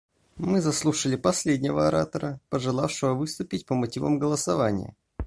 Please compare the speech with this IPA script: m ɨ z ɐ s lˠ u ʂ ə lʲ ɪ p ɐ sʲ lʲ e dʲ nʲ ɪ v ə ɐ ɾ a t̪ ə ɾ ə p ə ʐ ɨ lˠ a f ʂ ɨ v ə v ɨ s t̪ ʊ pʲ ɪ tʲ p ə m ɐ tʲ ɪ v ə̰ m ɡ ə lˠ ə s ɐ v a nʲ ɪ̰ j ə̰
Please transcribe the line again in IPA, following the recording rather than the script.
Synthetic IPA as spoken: m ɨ z ɐ s lˠ u ʂ ə lʲ ɪ p ɐ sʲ lʲ e dʲ nʲ ɪ v ə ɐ ɾ a t̪ ə ɾ ə p ə ʐ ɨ lˠ a f ʂ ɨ v ə v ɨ s t̪ ʊ pʲ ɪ tʲ p ə m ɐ tʲ i v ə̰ m ɡ ə lˠ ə s ɐ v a nʲ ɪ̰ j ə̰